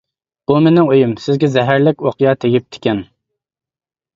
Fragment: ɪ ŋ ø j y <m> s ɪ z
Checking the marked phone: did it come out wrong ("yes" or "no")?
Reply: no